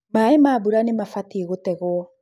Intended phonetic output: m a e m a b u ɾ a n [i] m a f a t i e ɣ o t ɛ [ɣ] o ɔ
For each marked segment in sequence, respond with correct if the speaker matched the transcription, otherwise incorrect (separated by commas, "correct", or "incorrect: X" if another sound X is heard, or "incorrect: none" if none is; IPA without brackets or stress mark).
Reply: incorrect: e, correct